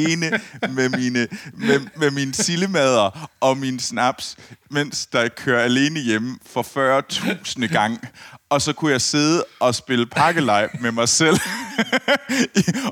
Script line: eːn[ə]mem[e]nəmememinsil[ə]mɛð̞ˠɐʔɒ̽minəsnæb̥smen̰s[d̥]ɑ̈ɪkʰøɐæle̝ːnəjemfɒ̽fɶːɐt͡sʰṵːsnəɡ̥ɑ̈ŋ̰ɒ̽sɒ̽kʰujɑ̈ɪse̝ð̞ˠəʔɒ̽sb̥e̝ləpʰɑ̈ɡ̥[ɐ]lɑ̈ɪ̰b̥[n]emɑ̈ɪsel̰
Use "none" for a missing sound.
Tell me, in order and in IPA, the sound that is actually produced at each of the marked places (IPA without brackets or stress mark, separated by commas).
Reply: ə, i, ə, d̥, ə, m